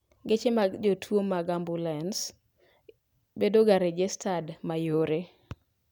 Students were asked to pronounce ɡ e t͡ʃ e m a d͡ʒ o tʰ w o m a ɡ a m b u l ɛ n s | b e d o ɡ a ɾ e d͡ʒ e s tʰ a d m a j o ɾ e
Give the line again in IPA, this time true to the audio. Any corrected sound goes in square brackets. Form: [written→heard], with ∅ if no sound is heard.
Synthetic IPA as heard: ɡ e t͡ʃ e m a d͡ʒ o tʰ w o m a ɡ a m b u l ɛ n s | b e d o ɡ a ɾ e d͡ʒ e s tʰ a d m a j o ɾ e